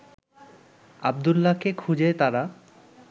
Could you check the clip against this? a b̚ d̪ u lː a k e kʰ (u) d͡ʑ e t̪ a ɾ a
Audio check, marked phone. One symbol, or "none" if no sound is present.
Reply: u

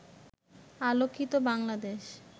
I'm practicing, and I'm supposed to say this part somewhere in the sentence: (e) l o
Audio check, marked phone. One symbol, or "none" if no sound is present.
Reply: a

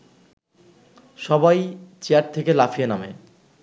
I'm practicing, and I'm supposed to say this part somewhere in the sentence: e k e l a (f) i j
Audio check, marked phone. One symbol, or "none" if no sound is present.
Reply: f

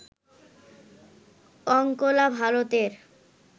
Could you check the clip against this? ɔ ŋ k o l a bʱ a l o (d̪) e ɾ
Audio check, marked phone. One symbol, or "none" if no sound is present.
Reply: t̪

